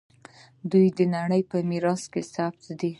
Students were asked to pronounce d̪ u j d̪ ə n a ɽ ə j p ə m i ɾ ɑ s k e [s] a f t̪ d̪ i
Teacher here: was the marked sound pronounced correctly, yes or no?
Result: yes